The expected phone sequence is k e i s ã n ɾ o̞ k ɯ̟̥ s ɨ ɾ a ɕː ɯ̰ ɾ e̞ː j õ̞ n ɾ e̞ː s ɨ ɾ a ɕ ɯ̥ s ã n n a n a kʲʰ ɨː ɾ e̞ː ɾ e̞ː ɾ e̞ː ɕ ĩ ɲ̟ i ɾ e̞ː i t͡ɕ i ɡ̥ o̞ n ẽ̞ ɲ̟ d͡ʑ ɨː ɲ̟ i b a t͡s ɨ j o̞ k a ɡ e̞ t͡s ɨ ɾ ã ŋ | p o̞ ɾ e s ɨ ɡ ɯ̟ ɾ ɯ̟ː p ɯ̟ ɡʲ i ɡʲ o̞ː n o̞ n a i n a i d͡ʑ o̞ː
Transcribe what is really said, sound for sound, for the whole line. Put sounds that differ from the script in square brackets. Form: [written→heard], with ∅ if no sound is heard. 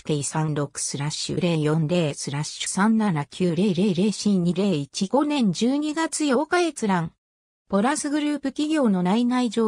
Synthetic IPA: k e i s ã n ɾ o̞ k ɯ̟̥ s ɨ ɾ a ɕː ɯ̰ ɾ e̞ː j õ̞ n ɾ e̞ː s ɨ ɾ a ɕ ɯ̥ s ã n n a n a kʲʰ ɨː ɾ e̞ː ɾ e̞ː ɾ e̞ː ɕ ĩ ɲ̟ i ɾ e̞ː i t͡ɕ i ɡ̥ o̞ n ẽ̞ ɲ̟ d͡ʑ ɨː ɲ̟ i [b→ɡ] a t͡s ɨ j o̞ k a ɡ e̞ t͡s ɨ ɾ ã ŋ | p o̞ ɾ [e→a] s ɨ ɡ ɯ̟ ɾ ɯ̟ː p ɯ̟ [ɡʲ→kʲ] i ɡʲ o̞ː n o̞ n a i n a i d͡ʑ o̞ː